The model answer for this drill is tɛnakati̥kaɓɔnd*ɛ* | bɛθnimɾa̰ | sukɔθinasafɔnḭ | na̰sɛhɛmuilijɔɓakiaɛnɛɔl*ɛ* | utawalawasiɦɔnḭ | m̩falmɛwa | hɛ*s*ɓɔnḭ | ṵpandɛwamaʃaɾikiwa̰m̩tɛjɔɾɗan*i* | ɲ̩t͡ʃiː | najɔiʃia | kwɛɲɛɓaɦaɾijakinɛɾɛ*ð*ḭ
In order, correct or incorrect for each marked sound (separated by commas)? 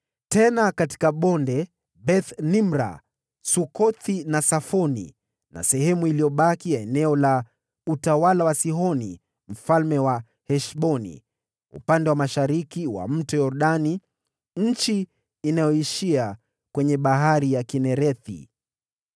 correct, incorrect, incorrect, correct, incorrect